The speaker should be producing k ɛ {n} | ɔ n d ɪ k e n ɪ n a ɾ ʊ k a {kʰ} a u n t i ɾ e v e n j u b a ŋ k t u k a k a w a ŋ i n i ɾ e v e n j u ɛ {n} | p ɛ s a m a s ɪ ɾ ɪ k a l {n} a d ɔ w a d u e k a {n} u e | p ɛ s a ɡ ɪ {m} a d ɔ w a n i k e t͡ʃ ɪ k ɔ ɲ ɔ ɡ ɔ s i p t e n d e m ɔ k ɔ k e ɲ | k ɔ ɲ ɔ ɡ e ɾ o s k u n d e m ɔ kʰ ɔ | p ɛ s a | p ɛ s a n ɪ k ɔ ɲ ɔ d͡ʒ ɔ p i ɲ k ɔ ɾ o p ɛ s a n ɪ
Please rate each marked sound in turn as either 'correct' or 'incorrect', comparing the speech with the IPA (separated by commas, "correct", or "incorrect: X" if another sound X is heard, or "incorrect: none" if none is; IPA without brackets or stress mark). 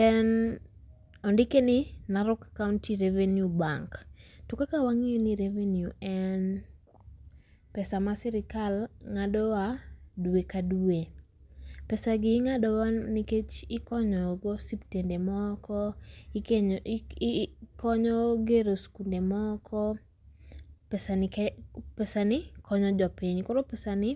correct, incorrect: k, correct, incorrect: ŋ, incorrect: d, incorrect: ŋ